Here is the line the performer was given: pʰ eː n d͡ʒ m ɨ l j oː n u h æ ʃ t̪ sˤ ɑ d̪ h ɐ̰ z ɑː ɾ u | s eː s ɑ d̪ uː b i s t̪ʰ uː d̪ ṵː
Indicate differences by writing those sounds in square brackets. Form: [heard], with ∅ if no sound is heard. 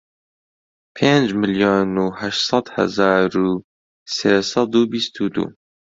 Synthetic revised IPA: pʰ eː n d͡ʒ m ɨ l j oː n u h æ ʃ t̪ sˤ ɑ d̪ h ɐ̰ z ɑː ɾ u | s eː s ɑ d̪ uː b i s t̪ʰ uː d̪ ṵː